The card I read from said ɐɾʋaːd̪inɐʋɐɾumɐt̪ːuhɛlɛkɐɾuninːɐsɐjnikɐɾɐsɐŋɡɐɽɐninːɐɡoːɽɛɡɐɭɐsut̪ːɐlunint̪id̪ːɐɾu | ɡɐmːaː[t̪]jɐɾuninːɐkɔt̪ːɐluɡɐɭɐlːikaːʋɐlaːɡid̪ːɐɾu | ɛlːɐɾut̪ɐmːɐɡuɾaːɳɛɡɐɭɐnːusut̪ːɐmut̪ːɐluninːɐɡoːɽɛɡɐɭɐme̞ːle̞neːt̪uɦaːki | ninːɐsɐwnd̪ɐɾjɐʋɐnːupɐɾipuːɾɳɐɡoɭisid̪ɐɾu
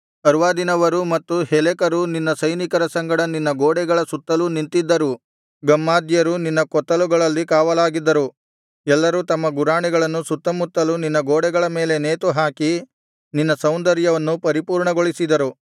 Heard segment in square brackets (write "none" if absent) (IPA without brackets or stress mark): d̪